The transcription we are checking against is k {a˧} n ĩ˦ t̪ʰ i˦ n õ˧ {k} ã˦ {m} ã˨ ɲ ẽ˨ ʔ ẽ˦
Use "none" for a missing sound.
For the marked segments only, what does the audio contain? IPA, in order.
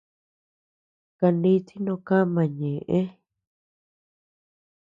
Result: a˧, k, m

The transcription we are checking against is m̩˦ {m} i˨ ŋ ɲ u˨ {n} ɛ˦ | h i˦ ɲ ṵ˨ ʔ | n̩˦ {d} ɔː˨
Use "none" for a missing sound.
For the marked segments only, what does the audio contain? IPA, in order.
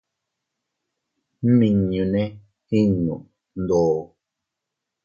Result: m, n, d

